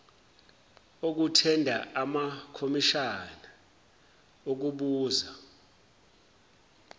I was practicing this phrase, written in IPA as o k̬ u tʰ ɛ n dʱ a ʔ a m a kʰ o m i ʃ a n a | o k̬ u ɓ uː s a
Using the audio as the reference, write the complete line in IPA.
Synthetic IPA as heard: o k̬ u tʰ ɛ n dʱ a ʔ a m a kʰ o m i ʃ a n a | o k̬ u ɓ uː z a